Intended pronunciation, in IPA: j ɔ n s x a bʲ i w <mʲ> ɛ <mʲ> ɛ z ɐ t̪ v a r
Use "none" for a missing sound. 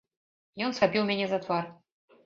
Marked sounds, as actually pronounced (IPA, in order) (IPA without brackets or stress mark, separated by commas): mʲ, nʲ